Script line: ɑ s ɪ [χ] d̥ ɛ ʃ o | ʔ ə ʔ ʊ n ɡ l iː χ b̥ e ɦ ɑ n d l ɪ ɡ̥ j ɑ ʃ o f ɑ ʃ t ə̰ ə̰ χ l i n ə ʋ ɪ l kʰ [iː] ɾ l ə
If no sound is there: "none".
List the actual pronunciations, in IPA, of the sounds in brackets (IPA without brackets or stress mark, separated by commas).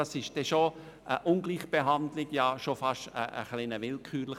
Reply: ʃ, yː